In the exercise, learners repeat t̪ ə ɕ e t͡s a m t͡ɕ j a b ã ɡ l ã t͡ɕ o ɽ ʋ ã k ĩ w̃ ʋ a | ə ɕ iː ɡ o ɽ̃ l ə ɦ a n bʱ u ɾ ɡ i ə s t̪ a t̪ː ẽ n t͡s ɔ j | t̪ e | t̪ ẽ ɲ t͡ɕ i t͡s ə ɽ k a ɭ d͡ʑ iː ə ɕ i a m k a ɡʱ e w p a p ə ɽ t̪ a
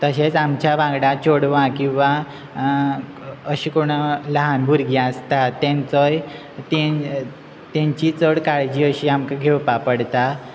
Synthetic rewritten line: t̪ ə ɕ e t͡s a m t͡ɕ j a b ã ɡ ɽ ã t͡ɕ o ɽ ʋ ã k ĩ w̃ ʋ a | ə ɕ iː k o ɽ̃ l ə ɦ a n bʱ u ɾ ɡ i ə s t̪ a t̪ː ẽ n t͡s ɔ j | t̪ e | t̪ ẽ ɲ t͡ɕ i t͡s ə ɽ k a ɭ d͡ʑ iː ə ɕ i a m k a ɡʱ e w p a p ə ɽ t̪ a